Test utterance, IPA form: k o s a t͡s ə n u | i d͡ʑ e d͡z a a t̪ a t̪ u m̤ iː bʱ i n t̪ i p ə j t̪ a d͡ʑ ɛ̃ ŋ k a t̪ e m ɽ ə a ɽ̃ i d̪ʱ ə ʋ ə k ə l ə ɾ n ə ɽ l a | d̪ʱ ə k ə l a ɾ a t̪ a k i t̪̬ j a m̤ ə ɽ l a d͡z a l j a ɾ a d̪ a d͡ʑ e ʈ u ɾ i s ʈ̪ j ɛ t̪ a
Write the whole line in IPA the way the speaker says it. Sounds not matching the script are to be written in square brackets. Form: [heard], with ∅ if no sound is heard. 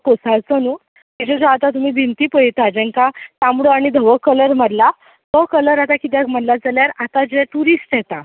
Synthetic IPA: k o s a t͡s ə n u | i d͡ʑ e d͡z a a t̪ a t̪ u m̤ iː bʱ i n t̪ i p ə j t̪ a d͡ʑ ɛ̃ ŋ k a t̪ [a] m ɽ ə a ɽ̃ i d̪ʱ ə ʋ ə k ə l ə ɾ [m] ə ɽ l a | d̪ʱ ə k ə l [ə] ɾ a t̪ a k i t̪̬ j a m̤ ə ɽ l a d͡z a l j a ɾ a [t̪] a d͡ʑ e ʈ u ɾ i s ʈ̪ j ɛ t̪ a